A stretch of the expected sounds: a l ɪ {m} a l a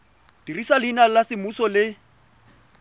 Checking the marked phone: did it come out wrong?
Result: yes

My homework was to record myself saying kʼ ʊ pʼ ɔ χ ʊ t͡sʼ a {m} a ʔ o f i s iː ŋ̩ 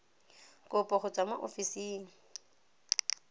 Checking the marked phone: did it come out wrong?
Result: no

